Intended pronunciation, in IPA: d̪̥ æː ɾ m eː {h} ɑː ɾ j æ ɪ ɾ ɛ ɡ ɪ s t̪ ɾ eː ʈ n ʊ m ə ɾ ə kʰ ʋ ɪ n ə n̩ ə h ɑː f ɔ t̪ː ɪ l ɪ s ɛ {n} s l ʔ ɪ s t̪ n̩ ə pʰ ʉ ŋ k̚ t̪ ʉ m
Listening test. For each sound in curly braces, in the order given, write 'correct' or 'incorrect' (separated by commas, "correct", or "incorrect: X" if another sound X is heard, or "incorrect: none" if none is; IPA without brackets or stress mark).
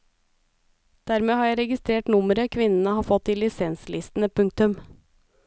correct, correct